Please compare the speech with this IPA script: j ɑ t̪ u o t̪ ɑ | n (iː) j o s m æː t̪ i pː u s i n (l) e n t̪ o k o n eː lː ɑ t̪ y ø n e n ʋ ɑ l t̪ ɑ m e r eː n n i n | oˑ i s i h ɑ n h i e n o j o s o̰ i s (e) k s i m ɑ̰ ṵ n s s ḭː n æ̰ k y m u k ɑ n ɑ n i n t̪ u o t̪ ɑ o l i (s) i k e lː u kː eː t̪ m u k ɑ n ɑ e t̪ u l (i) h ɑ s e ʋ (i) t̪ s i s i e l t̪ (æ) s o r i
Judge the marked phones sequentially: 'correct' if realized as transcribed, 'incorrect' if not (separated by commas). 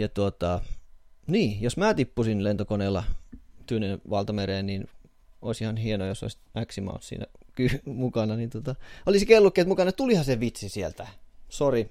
correct, correct, incorrect, correct, correct, correct, correct